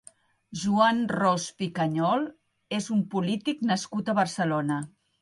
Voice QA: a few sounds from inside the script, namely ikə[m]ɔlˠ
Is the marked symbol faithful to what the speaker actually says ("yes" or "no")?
no